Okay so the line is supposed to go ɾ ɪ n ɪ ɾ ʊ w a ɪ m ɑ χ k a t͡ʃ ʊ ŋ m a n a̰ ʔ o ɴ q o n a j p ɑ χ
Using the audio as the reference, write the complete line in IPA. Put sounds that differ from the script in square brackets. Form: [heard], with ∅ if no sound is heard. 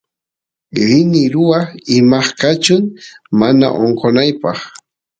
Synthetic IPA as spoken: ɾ ɪ n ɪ ɾ ʊ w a ɪ m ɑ χ k a t͡ʃ ʊ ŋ m a n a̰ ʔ o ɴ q o n a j p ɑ χ